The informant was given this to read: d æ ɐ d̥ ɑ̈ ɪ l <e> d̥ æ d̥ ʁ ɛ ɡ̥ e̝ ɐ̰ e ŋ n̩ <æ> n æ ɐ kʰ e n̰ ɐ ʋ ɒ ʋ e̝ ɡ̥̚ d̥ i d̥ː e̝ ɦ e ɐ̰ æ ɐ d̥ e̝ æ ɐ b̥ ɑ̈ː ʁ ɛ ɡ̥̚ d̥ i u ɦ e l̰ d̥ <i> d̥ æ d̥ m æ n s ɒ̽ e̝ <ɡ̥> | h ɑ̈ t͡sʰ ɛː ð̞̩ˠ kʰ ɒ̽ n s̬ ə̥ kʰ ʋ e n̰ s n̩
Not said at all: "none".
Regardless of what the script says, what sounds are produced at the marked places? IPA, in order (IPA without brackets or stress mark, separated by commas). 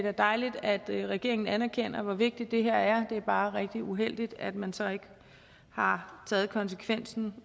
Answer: i, æ, i, ɡ̥